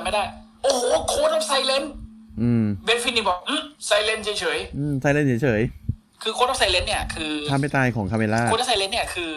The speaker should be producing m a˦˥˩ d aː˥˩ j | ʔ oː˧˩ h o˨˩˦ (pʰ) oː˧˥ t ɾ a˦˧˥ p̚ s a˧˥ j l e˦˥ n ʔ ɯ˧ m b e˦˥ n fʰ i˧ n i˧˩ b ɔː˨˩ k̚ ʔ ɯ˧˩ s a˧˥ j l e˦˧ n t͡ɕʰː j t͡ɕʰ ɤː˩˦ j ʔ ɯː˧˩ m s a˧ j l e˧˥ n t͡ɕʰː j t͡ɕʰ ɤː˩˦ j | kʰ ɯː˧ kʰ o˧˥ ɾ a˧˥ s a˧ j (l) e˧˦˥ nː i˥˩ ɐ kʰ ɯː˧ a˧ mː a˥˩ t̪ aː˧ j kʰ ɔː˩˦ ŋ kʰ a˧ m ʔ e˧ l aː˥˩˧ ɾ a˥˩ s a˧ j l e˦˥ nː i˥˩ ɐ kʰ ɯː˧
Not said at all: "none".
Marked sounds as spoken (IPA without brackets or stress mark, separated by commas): kʰ, l